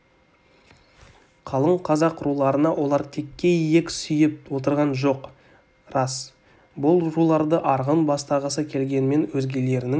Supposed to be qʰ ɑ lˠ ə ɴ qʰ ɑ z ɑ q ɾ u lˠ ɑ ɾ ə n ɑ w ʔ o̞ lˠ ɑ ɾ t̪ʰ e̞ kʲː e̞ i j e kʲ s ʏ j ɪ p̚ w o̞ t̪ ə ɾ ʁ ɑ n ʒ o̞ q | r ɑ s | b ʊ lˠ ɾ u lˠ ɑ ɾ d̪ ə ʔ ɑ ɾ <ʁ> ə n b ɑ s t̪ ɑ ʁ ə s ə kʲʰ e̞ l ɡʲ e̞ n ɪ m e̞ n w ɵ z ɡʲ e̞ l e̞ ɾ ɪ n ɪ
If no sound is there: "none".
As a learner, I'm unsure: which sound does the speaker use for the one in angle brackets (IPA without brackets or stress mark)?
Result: ʁ